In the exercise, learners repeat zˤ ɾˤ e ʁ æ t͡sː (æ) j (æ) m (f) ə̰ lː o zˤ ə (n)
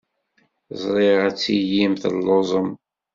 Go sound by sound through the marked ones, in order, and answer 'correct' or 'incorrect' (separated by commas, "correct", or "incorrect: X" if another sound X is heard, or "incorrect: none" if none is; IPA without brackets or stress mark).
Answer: incorrect: i, incorrect: i, incorrect: θ, incorrect: m